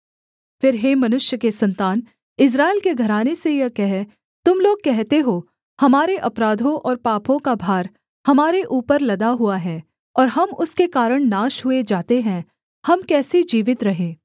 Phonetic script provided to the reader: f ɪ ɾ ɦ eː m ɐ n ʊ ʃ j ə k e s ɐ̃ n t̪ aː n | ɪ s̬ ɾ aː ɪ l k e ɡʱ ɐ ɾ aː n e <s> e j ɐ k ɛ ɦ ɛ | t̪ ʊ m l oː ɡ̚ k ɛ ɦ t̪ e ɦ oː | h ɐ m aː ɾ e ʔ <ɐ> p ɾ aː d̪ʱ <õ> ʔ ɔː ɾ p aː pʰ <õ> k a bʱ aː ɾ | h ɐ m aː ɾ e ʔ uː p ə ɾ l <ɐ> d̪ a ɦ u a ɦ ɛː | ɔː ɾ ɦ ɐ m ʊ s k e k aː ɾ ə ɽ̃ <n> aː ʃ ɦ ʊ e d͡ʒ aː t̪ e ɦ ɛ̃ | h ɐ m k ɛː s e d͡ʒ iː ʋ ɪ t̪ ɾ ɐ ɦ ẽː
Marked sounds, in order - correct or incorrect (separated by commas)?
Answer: correct, correct, correct, correct, correct, correct